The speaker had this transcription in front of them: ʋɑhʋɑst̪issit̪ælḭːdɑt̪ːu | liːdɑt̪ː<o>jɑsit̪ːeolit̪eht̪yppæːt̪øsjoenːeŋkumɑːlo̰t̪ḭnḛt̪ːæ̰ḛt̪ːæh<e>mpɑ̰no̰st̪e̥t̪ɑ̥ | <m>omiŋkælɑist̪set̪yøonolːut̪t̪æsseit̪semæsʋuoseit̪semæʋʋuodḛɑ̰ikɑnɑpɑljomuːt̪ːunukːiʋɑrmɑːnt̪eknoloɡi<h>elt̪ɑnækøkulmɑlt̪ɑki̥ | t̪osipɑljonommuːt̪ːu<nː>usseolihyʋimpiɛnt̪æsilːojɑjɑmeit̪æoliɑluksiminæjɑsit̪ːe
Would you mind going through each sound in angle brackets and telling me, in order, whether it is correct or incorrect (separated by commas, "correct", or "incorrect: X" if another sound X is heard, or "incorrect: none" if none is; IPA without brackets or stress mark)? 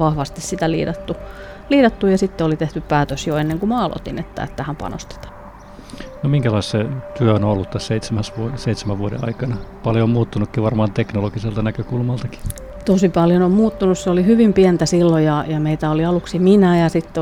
incorrect: u, incorrect: æ, incorrect: n, incorrect: s, incorrect: n